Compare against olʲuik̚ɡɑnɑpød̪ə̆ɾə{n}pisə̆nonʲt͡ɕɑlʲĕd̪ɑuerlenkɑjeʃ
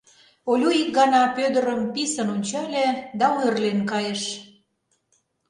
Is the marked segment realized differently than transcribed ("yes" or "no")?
yes